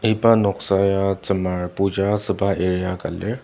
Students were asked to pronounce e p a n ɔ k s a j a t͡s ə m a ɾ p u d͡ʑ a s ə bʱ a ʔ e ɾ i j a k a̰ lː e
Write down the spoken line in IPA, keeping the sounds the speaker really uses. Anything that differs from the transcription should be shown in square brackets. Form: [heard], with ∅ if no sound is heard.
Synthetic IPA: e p a n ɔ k s a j a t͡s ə m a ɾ p u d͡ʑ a s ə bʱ a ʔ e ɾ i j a k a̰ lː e